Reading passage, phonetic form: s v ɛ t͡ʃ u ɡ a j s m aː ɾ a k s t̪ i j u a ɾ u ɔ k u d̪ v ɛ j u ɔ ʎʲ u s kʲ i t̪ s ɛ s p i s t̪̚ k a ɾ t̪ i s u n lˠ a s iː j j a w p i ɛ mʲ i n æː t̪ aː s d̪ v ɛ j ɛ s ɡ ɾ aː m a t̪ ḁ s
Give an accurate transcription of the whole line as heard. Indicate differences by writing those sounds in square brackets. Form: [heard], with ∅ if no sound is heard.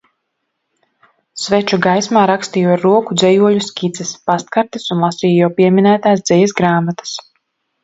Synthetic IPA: s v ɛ t͡ʃ u ɡ a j s m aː ɾ a k s t̪ i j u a ɾ u ɔ k u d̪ [z] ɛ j u ɔ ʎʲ u s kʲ i t̪ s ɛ s p [a] s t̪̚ k a ɾ t̪ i s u n lˠ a s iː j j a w p i ɛ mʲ i n æː t̪ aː s d̪ [z] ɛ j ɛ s ɡ ɾ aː m a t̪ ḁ s